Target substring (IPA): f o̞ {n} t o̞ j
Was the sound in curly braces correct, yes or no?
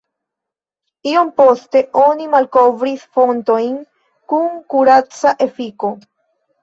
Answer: yes